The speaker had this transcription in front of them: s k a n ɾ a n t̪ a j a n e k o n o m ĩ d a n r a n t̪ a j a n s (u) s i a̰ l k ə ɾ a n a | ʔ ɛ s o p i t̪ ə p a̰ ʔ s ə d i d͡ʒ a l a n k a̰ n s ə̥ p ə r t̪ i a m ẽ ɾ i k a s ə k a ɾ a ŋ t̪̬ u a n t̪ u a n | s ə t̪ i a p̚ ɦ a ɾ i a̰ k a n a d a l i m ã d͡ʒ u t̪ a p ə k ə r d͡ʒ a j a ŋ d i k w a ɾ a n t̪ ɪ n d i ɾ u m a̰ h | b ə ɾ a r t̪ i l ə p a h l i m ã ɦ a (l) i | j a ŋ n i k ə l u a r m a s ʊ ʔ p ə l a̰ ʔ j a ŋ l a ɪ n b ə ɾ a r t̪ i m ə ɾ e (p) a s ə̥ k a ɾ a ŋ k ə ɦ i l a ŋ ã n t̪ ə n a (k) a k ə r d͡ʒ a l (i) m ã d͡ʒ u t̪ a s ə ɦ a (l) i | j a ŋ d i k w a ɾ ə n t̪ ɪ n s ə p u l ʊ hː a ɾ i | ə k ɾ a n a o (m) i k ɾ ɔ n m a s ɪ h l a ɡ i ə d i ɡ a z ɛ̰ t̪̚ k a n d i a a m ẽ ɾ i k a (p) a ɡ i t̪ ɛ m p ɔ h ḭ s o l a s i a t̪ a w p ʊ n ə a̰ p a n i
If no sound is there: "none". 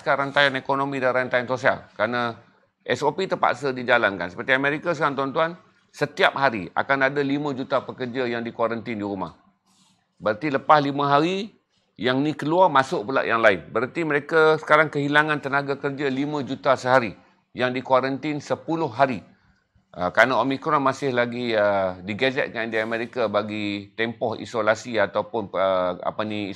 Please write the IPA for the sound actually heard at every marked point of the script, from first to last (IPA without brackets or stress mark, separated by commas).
o, ɾ, k, ɡ, i, ɾ, m, b